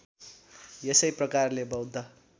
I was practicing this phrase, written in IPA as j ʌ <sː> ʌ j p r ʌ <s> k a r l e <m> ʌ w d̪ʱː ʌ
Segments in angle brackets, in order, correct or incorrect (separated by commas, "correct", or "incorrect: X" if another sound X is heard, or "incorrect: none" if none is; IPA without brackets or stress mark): incorrect: s, incorrect: none, incorrect: b